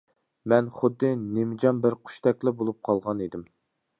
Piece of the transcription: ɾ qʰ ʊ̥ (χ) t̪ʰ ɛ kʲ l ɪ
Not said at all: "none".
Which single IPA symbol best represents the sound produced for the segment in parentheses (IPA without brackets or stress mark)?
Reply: ʃ